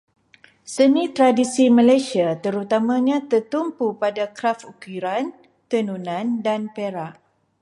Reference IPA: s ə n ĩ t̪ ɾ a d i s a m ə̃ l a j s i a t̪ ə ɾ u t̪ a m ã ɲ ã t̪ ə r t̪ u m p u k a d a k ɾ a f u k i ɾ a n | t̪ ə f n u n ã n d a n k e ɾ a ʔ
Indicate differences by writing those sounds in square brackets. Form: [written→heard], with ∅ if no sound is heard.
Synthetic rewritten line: s ə n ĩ t̪ ɾ a d i s [a→i] m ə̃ l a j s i a t̪ ə ɾ u t̪ a m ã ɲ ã t̪ ə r t̪ u m p u [k→p] a d a k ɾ a f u k i ɾ a n | t̪ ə [f→∅] n u n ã n d a n [k→p] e ɾ a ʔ